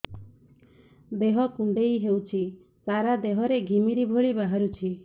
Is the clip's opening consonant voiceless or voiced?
voiced